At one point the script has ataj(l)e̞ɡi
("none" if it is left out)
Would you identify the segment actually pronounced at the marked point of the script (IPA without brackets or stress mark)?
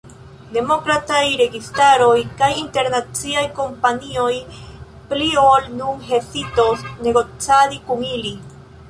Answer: ɾ